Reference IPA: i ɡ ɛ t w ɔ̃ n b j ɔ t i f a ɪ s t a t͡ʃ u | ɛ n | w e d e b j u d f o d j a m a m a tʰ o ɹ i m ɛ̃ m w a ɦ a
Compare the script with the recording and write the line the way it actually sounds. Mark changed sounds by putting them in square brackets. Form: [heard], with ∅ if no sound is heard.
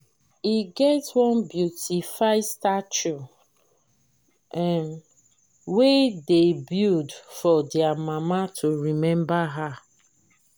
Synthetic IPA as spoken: i ɡ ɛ t w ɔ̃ n b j [u] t i f a ɪ s t a t͡ʃ u | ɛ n | w e d e b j u d f [ɔ] d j a m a m a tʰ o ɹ i m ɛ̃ m [b] a ɦ a

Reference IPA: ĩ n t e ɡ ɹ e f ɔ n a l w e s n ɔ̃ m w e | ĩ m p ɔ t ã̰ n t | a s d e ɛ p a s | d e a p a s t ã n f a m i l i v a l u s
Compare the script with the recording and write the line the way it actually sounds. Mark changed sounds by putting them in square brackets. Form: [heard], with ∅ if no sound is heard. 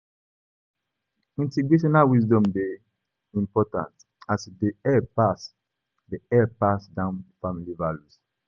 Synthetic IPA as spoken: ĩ n t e ɡ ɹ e [ʃ] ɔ n a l w [i] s [d] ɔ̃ m [b] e | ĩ m p ɔ t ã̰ n t | a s d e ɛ p a s | d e [ɛ] p a s [d] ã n f a m i l i v a l u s

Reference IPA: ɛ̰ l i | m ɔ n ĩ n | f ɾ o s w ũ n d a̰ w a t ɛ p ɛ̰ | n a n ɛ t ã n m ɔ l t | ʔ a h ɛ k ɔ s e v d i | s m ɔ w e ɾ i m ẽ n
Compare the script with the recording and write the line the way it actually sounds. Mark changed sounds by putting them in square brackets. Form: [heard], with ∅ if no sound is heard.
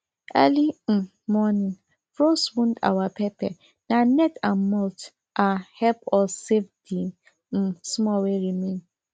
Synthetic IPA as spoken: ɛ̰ l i | m ɔ n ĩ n | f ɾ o s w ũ n d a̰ w a [p] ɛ p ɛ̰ | n a n ɛ t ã n m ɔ l t | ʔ a h ɛ [p] ɔ s e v d i | s m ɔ w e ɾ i m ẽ n

